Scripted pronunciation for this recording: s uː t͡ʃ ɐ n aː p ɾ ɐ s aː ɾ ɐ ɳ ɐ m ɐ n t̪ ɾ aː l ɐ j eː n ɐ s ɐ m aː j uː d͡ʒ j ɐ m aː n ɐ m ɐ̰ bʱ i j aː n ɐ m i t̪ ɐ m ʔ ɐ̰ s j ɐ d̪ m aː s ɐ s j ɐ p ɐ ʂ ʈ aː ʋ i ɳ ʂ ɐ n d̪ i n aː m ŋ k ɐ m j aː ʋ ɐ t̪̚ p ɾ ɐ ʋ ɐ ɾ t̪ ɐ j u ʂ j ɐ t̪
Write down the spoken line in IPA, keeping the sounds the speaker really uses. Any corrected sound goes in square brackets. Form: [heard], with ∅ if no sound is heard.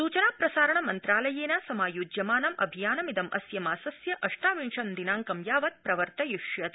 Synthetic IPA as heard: s uː t͡ʃ ɐ n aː p ɾ ɐ s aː ɾ ɐ ɳ ɐ m ɐ n t̪ ɾ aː l ɐ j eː n ɐ s ɐ m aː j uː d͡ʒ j ɐ m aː n ɐ m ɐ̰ bʱ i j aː n ɐ m i [d̪] ɐ m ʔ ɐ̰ s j ɐ [∅] m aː s ɐ s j ɐ [ʔ] ɐ ʂ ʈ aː ʋ i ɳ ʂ ɐ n d̪ i n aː [∅] ŋ k ɐ m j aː ʋ ɐ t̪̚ p ɾ ɐ ʋ ɐ ɾ t̪ ɐ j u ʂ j ɐ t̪